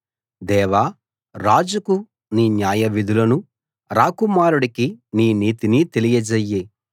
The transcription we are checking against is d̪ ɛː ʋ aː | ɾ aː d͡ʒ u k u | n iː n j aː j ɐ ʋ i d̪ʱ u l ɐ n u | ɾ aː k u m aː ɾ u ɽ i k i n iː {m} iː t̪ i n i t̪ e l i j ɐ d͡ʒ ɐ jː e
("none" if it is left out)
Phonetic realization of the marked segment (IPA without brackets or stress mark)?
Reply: n